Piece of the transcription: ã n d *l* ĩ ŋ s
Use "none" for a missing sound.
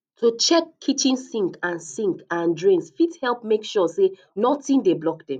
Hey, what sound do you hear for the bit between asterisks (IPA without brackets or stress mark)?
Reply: ɹ